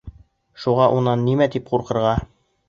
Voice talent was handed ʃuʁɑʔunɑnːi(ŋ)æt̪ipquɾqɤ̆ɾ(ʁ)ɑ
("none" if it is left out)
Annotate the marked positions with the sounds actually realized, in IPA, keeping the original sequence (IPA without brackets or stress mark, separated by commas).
m, ʁ